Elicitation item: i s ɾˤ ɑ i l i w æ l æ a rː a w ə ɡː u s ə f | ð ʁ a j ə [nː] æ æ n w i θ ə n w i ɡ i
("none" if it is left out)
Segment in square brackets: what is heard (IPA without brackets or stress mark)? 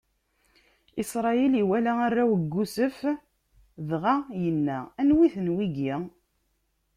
nː